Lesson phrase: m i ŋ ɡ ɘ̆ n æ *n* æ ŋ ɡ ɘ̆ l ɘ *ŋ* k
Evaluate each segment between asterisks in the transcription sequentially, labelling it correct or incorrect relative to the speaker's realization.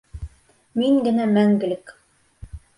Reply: incorrect: m, incorrect: none

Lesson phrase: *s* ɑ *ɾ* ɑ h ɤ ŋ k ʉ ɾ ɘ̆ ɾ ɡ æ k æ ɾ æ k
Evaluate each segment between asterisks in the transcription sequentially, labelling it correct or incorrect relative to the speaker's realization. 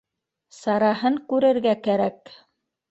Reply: correct, correct

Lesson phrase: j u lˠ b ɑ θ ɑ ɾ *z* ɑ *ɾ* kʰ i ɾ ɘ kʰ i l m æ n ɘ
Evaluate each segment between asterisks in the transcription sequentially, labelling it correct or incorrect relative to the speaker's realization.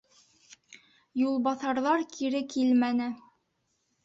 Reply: incorrect: ð, correct

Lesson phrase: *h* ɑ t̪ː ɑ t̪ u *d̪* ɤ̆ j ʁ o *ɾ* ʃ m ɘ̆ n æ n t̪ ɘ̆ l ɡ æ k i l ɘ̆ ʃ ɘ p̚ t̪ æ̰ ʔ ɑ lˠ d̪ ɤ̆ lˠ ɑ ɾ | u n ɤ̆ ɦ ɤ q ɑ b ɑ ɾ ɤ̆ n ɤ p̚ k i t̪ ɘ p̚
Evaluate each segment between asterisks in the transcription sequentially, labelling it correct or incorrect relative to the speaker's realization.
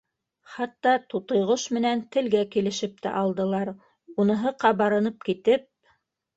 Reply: incorrect: χ, incorrect: t̪, incorrect: none

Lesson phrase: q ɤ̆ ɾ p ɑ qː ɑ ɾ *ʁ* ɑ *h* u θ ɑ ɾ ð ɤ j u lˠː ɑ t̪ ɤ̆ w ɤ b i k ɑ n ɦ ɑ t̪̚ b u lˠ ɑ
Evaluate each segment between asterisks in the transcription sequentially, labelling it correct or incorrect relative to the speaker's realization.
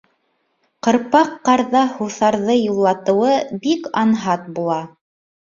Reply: incorrect: ð, correct

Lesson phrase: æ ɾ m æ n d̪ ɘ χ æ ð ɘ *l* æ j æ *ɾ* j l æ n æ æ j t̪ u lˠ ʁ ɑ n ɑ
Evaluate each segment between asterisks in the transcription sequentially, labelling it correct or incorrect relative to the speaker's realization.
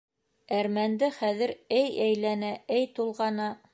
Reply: incorrect: ɾ, incorrect: none

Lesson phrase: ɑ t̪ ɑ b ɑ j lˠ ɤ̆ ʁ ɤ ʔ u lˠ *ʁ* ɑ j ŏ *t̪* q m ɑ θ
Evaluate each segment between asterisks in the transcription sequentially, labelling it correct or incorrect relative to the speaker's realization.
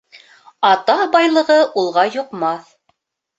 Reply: correct, incorrect: none

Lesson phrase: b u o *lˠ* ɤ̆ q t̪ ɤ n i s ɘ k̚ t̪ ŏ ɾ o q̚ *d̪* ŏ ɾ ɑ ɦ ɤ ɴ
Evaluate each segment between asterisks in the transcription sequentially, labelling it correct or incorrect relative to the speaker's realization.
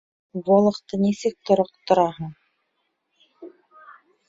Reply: correct, incorrect: t̪

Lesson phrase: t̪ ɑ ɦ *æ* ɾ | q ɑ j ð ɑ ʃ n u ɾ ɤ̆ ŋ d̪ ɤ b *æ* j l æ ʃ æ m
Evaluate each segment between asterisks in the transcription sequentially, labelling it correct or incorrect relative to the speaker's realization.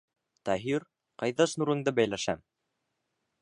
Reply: incorrect: i, correct

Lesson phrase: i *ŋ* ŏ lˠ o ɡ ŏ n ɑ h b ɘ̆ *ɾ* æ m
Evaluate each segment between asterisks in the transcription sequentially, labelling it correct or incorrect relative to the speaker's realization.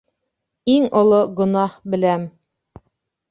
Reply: correct, incorrect: l

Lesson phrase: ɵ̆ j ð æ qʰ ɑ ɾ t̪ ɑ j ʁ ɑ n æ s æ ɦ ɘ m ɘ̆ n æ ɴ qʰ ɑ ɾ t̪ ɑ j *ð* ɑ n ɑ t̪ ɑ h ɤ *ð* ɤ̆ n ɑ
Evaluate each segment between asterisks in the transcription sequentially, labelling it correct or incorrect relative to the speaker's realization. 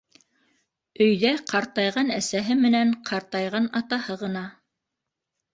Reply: incorrect: ʁ, incorrect: ʁ

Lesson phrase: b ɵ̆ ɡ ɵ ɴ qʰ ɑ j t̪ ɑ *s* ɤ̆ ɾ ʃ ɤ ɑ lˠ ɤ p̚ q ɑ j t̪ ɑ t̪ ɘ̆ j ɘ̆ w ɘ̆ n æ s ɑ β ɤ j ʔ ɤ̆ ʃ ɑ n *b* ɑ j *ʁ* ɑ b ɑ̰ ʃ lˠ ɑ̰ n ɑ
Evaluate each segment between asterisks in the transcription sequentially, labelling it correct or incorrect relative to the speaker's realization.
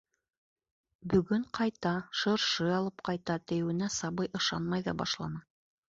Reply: incorrect: ʃ, incorrect: m, incorrect: ð

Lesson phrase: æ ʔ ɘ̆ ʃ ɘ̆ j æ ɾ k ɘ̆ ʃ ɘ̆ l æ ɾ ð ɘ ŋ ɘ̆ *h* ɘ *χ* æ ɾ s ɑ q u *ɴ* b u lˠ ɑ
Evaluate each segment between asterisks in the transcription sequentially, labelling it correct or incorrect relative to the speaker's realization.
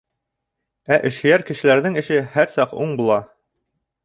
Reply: incorrect: ʃ, incorrect: h, correct

